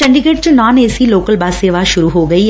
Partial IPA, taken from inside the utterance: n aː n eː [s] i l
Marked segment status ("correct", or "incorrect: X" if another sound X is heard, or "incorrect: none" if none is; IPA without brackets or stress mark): correct